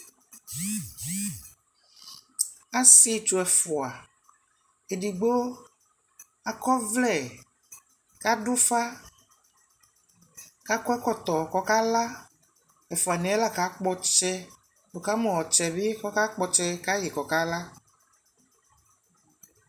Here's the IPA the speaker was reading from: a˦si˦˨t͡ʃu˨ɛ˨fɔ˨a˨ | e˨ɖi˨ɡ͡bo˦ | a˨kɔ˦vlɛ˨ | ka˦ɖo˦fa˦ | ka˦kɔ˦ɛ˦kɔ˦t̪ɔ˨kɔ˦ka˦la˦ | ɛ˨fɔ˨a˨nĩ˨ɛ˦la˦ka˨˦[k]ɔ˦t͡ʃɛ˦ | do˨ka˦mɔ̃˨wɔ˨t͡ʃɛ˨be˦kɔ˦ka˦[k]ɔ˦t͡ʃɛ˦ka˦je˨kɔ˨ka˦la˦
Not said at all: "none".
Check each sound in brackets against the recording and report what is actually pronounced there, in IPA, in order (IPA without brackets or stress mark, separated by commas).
k͡p, k͡p